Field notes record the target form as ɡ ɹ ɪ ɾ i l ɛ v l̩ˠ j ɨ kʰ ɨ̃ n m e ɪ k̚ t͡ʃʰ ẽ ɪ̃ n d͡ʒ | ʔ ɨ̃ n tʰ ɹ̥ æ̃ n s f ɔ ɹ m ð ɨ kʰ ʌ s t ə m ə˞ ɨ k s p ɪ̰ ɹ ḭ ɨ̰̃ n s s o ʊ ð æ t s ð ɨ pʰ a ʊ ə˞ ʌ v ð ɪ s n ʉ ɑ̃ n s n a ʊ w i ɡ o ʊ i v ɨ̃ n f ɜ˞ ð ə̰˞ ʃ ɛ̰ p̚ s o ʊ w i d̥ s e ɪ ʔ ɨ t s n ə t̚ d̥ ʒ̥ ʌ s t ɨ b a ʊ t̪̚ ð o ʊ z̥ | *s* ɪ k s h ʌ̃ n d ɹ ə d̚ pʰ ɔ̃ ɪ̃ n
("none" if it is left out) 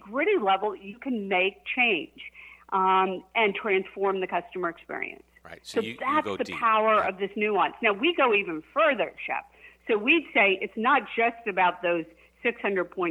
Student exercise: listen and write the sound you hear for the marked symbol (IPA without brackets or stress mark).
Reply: s